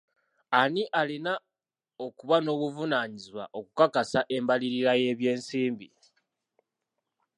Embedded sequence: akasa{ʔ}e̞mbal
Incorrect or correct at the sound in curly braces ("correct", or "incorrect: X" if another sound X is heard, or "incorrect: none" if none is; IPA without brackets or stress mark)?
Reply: correct